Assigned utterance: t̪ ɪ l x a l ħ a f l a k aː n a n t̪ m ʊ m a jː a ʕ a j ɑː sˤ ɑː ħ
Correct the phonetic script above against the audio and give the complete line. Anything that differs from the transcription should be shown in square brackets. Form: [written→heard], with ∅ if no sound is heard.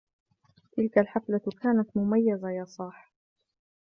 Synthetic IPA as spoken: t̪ ɪ l [x→k] a l ħ a f l a k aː n a [n→∅] t̪ m ʊ m a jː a [ʕ→z] a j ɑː sˤ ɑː ħ